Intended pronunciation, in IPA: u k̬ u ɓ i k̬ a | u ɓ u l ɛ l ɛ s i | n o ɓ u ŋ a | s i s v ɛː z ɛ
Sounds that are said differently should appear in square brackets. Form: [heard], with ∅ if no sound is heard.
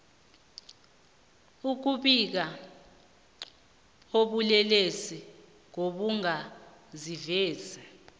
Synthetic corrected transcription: u k̬ u ɓ i k̬ a | [o] ɓ u l ɛ l [e] s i | [ŋ] o ɓ u ŋ a | [z] i [∅] v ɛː z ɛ